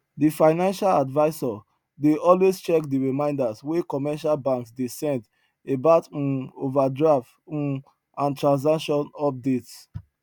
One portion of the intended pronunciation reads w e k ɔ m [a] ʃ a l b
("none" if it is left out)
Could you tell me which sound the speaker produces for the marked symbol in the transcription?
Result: ɛ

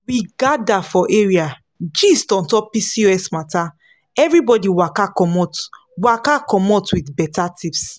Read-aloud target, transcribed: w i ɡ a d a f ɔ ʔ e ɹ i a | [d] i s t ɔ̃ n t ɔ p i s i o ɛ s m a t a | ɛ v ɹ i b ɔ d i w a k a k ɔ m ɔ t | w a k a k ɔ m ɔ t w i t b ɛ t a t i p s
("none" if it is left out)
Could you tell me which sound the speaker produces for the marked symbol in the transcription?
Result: d͡ʒ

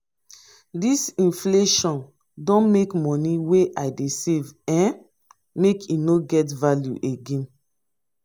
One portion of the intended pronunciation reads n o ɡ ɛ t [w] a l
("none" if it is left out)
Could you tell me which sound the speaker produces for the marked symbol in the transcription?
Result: v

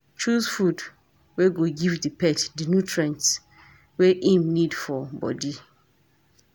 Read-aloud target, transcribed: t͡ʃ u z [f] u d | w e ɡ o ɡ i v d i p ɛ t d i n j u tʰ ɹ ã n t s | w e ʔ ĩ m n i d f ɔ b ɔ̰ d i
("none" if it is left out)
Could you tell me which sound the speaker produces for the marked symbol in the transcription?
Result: f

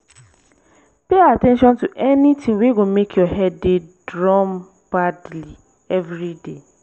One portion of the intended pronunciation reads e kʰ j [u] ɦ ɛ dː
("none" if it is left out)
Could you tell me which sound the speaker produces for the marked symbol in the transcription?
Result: ɔ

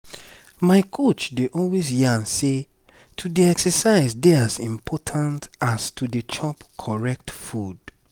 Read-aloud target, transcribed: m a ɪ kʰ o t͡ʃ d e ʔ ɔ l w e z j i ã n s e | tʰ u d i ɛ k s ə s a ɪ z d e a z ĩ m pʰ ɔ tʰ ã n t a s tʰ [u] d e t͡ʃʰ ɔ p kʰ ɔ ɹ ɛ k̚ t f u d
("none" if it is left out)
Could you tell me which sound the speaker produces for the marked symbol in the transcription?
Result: u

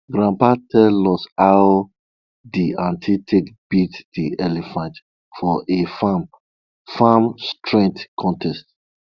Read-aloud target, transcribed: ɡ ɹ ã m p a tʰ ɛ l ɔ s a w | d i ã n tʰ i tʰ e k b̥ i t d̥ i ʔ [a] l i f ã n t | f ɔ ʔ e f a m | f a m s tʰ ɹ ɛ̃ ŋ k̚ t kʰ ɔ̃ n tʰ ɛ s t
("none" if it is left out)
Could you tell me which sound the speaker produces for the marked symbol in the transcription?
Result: ɛ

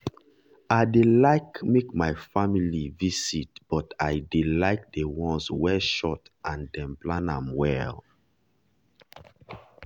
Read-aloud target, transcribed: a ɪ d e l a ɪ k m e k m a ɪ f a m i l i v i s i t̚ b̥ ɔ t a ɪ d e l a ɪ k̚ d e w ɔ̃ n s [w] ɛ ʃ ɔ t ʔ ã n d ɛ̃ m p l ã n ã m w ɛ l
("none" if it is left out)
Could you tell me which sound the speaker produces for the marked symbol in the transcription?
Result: w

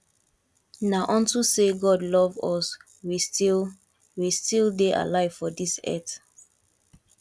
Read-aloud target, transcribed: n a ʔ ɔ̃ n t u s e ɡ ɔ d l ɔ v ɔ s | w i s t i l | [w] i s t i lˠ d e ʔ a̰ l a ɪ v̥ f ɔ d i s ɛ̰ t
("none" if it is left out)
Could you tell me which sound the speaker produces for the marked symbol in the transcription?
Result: w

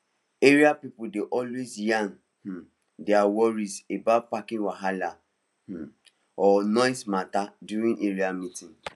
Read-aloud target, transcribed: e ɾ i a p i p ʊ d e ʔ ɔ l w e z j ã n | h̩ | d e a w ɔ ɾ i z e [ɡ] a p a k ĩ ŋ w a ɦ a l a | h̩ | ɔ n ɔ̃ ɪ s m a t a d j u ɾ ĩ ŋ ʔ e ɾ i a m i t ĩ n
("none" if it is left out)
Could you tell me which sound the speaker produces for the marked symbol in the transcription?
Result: b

